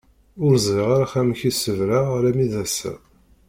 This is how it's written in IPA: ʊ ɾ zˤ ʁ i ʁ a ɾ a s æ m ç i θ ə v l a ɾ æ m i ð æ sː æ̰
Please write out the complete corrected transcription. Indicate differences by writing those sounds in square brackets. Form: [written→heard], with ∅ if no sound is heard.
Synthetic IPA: ʊ ɾ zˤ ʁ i ʁ a ɾ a [s→χ] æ m ç i [θ→s] ə v [l→ɾ] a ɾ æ m i ð æ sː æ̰